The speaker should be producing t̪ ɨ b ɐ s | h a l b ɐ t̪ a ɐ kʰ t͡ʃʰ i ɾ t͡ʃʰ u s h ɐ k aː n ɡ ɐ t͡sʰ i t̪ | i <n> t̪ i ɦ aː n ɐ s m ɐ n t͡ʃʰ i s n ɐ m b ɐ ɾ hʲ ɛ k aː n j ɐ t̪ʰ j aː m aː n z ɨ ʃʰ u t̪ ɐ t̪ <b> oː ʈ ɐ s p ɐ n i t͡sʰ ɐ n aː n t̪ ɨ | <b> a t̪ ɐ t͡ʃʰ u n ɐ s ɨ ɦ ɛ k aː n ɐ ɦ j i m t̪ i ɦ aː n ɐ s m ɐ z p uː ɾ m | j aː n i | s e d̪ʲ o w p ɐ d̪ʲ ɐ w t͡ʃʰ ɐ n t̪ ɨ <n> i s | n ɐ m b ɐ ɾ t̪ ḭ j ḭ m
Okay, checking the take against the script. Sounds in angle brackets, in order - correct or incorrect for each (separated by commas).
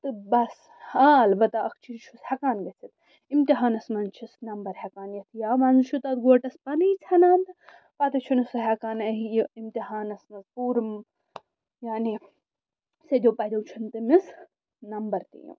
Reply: incorrect, incorrect, incorrect, incorrect